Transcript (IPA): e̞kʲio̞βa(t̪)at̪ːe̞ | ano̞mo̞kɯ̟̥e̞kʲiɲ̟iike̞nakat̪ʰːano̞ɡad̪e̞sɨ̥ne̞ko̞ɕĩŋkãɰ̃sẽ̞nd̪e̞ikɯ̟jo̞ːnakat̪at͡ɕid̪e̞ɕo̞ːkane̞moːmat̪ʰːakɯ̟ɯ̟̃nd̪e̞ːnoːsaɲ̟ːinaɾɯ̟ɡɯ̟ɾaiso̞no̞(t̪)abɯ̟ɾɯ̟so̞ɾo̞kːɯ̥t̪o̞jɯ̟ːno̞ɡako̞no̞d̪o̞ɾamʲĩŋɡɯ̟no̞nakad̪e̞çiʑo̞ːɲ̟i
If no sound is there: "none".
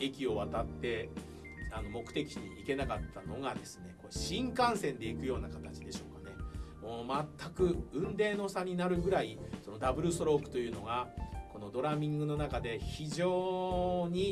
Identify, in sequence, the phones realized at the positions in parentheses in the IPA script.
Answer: t̪, d̪

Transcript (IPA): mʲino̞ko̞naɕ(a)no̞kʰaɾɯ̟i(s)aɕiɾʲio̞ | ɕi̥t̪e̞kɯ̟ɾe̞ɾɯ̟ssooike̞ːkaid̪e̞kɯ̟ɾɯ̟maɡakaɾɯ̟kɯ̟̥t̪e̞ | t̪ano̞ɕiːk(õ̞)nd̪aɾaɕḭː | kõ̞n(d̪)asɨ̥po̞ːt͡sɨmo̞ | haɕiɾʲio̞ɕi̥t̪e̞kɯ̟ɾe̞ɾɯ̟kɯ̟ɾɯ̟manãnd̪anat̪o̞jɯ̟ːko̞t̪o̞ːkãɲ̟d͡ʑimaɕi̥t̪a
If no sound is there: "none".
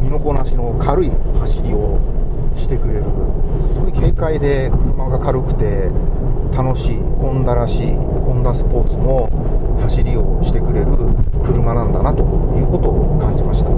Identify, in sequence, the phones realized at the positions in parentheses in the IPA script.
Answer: i, h, õ̞, d̪

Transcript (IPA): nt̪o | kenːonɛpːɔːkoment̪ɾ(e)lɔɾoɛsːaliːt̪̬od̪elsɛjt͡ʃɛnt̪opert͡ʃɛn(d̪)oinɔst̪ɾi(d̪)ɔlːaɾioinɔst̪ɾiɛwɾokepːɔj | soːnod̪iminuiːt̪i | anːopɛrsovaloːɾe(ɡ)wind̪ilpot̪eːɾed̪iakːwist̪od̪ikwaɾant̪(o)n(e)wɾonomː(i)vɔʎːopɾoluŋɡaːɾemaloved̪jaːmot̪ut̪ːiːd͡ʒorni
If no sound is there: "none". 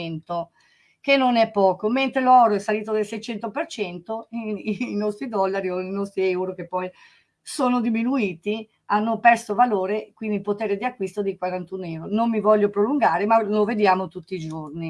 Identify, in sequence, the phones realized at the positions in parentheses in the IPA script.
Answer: e, t̪, d̪, k, u, ɛ, i

